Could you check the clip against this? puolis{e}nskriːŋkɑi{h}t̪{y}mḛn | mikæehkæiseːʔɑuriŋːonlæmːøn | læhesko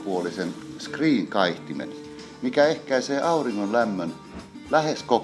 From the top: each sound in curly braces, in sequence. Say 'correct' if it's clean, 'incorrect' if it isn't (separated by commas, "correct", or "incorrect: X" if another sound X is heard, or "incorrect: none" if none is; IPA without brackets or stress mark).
correct, correct, incorrect: i